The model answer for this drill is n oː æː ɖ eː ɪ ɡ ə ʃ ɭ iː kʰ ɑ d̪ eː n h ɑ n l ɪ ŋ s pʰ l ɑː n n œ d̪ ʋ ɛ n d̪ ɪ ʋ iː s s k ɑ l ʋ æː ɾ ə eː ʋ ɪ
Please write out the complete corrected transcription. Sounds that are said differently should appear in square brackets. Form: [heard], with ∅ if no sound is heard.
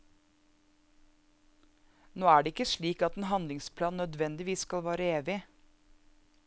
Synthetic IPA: n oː æː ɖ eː ɪ [k] ə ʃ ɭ iː [k] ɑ [t̪] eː n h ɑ n l ɪ ŋ s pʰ l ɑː n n œ d̪ ʋ ɛ n d̪ ɪ ʋ iː s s k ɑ l ʋ æː ɾ ə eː ʋ ɪ